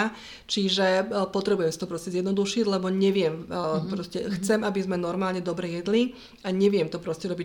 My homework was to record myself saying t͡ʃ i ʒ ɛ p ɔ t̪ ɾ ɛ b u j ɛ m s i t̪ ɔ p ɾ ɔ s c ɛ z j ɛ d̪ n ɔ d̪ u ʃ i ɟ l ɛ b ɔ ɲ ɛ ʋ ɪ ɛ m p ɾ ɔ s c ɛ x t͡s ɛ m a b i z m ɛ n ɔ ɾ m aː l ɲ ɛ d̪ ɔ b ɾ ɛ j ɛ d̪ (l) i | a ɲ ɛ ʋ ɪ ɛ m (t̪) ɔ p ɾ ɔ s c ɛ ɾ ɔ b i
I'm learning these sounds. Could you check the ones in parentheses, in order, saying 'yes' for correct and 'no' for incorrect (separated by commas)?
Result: yes, yes